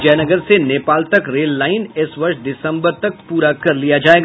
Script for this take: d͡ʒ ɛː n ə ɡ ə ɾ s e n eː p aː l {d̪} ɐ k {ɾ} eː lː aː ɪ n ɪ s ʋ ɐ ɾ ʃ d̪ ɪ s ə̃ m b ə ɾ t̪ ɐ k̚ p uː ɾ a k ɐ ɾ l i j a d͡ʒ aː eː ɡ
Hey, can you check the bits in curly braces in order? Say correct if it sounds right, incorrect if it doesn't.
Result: incorrect: t̪, correct

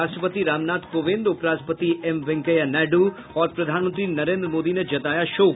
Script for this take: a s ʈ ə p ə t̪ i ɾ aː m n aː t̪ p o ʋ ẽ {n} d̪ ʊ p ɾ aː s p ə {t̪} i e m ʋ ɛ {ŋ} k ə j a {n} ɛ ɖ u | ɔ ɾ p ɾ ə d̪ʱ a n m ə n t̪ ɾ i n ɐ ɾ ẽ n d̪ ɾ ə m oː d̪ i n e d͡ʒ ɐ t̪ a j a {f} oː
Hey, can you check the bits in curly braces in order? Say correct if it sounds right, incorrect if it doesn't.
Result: correct, correct, correct, correct, incorrect: ʃ

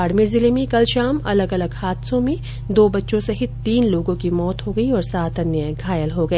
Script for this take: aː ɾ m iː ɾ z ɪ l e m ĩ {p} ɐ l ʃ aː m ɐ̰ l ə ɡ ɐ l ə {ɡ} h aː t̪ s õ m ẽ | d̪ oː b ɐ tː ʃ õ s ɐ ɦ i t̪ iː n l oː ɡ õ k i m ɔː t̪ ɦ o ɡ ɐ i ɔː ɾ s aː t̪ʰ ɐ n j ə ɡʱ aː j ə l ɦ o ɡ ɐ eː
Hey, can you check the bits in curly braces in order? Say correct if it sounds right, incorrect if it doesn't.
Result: incorrect: k, correct

